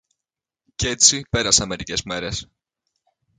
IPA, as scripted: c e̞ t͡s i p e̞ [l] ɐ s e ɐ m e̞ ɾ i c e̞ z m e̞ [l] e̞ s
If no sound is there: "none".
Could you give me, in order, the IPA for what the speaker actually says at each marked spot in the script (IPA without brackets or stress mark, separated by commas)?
ɾ, ɾ